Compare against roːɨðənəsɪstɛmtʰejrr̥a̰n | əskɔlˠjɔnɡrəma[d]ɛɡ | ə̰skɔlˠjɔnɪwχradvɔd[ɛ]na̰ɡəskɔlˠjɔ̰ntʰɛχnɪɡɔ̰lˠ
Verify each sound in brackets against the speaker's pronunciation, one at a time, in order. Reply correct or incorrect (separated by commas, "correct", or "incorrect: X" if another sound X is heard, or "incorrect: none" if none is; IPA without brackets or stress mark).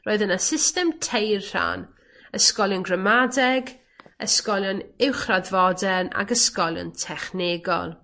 correct, correct